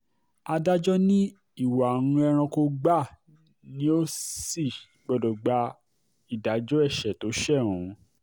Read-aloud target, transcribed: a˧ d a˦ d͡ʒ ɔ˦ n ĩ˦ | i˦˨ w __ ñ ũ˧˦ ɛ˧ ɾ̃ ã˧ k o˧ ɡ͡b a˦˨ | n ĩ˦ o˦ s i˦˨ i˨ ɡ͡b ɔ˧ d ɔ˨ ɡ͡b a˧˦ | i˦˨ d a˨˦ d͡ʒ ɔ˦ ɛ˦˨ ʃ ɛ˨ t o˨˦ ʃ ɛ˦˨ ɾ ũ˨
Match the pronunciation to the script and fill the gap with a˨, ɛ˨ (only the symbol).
a˨